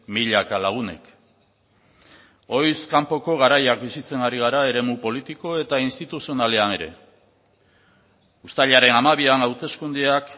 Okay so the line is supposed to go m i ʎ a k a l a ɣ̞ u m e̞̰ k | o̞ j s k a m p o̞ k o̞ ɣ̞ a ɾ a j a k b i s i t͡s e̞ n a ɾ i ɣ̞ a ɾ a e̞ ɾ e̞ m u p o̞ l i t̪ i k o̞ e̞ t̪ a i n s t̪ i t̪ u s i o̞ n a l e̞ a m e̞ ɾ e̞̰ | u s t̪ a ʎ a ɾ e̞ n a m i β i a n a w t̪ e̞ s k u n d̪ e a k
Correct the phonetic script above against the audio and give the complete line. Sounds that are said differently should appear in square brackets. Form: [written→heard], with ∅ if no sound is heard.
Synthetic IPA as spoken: m i ʎ a k a l a ɣ̞ u [m→n] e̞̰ k | o̞ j s k a m p o̞ k o̞ ɣ̞ a ɾ a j a k b i s i t͡s e̞ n a ɾ i ɣ̞ a ɾ a e̞ ɾ e̞ m u p o̞ l i t̪ i k o̞ e̞ t̪ a i n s t̪ i t̪ u s i o̞ n a l e̞ a [m→n] e̞ ɾ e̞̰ | u s t̪ a ʎ a ɾ e̞ n a m [i→a] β i a n a w t̪ e̞ s k u n d̪ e a k

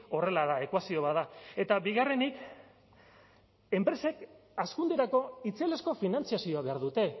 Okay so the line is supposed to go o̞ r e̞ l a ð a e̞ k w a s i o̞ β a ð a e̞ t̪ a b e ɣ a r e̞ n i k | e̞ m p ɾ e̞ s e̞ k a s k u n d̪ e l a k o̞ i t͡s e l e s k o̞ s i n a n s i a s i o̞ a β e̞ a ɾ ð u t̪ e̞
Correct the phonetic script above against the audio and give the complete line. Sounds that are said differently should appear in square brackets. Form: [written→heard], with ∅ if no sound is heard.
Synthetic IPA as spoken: o̞ r e̞ l a ð a e̞ k w a s i o̞ β a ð a e̞ t̪ a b [e→i] ɣ a r e̞ n i k | e̞ m p ɾ e̞ s e̞ k a s k u n d̪ e [l→ɾ] a k o̞ i t͡s e l e s k o̞ [s→f] i n a n [s→t͡s] i a s i o̞ a β e̞ a ɾ ð u t̪ e̞

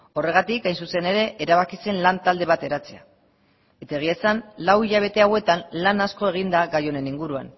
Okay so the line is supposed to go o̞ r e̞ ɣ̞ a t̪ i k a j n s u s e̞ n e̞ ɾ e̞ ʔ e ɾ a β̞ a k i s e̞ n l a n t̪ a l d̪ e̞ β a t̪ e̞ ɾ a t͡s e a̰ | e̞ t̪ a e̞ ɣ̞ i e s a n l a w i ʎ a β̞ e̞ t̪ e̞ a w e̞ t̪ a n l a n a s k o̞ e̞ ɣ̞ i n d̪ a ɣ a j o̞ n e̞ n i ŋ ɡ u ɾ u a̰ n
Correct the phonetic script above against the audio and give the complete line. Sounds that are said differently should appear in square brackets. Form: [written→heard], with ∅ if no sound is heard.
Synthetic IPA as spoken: o̞ r e̞ ɣ̞ a t̪ i k a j n s u s e̞ n e̞ ɾ e̞ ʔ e ɾ a β̞ a k i s e̞ n l a n t̪ a l d̪ e̞ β a t̪ e̞ ɾ a t͡s e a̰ | e̞ t̪ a e̞ ɣ̞ i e s a n l a w i ʎ a β̞ e̞ t̪ e̞ a w e̞ t̪ a n l a n a s k o̞ e̞ ɣ̞ i n d̪ a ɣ a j o̞ n e̞ n i ŋ ɡ u ɾ u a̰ n

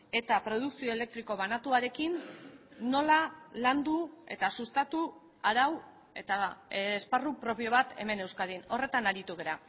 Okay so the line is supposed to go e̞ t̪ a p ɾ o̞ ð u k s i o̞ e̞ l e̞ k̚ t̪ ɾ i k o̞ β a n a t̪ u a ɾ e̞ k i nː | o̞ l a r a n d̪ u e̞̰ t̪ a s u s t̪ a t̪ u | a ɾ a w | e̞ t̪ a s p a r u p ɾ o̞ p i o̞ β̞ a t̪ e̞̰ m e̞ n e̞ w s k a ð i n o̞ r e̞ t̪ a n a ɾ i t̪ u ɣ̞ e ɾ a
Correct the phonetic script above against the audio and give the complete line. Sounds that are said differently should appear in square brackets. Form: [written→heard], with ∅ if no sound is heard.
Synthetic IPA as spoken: e̞ t̪ a p ɾ o̞ ð u k s i o̞ e̞ l e̞ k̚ t̪ ɾ i k o̞ β a n a t̪ u a ɾ e̞ k i nː | o̞ l a [r→l] a n d̪ u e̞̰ t̪ a s u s t̪ a t̪ u | a ɾ a w | e̞ t̪ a s p a r u p ɾ o̞ p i o̞ β̞ a t̪ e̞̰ m e̞ n e̞ w s k a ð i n o̞ r e̞ t̪ a n a ɾ i t̪ u ɣ̞ e ɾ a

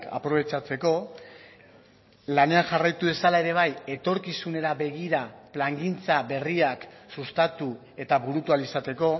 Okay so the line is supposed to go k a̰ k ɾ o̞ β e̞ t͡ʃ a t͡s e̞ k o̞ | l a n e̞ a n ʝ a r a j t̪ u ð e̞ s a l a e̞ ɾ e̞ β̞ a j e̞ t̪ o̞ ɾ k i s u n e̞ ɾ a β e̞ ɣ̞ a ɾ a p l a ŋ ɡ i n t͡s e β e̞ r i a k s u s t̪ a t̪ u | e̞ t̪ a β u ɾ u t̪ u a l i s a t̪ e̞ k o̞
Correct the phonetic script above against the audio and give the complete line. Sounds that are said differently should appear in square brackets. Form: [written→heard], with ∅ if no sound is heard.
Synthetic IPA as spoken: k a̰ [k→p] ɾ o̞ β e̞ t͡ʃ a t͡s e̞ k o̞ | l a n e̞ a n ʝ a r a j t̪ u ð e̞ s a l a e̞ ɾ e̞ β̞ a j e̞ t̪ o̞ ɾ k i s u n e̞ ɾ a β e̞ ɣ̞ [a→i] ɾ a p l a ŋ ɡ i n t͡s [e→a] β e̞ r i a k s u s t̪ a t̪ u | e̞ t̪ a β u ɾ u t̪ u a l i s a t̪ e̞ k o̞

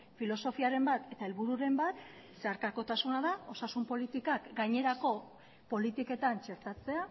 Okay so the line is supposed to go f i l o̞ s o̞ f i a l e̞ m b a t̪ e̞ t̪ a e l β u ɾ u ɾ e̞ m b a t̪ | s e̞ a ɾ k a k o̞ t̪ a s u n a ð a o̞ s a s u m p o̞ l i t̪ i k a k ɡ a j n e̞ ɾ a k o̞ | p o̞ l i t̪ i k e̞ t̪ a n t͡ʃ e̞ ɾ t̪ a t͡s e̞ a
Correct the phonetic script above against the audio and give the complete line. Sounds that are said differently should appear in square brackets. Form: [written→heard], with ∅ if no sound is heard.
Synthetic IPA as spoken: f i l o̞ s o̞ f i a [l→ɾ] e̞ m b a t̪ e̞ t̪ a e l β u ɾ u ɾ e̞ m b a t̪ | s e̞ a ɾ k a k o̞ t̪ a s u n a ð a o̞ s a s u m p o̞ l i t̪ i k a k ɡ a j [n→ɲ] e̞ ɾ a k o̞ | p o̞ l i t̪ i k e̞ t̪ a n t͡ʃ e̞ ɾ t̪ a t͡s e̞ a

